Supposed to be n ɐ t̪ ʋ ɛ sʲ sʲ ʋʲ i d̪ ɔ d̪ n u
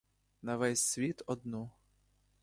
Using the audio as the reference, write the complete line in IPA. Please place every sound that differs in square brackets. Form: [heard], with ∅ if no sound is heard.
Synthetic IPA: n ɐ [∅] ʋ ɛ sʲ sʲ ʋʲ i [t̪] ɔ d̪ n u